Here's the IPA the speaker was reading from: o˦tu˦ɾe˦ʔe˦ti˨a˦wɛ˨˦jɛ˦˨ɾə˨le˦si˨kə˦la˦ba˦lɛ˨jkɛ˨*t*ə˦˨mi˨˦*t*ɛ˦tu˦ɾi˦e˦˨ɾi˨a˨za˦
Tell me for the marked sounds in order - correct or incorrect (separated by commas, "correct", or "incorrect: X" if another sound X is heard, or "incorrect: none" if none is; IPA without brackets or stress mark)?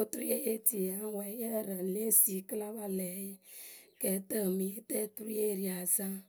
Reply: correct, correct